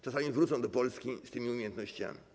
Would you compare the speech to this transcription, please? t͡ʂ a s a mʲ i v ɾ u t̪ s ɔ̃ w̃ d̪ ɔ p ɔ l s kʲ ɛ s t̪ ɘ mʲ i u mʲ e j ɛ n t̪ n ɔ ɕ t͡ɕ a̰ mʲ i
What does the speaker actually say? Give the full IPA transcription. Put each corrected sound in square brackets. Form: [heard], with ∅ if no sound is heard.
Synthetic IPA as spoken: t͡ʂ a s a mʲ i v ɾ u t̪ s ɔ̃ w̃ d̪ ɔ p ɔ l s kʲ [i] s t̪ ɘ mʲ i u mʲ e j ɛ n t̪ n ɔ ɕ t͡ɕ a̰ mʲ i